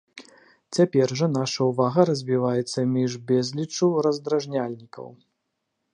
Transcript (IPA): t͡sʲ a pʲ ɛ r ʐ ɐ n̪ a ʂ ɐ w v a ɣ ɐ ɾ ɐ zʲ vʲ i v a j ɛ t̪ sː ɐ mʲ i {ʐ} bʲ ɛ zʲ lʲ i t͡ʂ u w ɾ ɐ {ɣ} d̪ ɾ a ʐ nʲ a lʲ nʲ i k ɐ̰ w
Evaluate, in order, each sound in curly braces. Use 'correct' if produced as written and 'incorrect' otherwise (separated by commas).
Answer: correct, incorrect